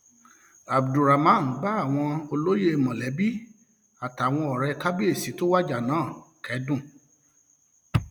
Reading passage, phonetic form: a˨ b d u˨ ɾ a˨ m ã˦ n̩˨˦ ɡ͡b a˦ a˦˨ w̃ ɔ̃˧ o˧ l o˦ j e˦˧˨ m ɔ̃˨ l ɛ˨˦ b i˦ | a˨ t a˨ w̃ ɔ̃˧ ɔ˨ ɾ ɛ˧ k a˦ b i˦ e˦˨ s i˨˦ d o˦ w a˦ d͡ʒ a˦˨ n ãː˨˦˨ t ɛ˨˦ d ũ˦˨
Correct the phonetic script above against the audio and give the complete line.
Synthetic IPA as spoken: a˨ b d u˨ ɾ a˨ m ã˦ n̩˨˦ ɡ͡b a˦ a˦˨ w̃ ɔ̃˧ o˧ l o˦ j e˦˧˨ m ɔ̃˨ l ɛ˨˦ b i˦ | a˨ t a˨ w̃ ɔ̃˧ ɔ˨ ɾ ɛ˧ k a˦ b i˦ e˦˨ s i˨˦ t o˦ w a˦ d͡ʒ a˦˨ n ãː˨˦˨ k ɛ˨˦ d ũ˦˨